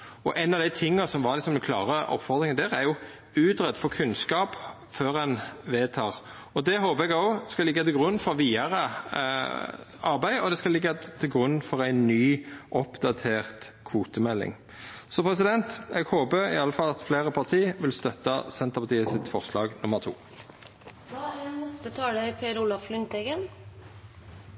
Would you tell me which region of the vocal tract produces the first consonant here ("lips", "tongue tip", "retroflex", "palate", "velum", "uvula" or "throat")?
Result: throat